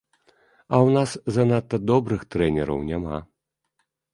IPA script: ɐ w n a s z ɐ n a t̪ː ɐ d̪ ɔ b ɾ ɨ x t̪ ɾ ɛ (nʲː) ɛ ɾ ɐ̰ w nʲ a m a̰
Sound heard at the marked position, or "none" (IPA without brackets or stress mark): nʲ